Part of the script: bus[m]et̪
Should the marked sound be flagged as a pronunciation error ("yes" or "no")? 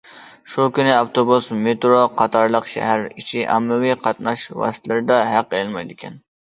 no